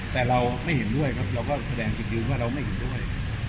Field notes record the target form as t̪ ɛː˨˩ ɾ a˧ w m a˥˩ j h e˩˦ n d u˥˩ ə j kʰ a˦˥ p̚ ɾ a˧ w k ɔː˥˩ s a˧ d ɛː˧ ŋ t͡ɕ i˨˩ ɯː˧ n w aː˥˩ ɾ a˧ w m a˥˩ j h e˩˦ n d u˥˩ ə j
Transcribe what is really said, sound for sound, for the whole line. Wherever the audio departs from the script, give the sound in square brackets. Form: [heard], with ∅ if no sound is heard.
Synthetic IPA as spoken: t̪ ɛː˨˩ ɾ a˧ w m a˥˩ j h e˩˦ n d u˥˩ ə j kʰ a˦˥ p̚ ɾ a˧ w k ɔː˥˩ s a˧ d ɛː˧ ŋ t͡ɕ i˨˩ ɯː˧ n w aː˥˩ ɾ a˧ w m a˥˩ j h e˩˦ n d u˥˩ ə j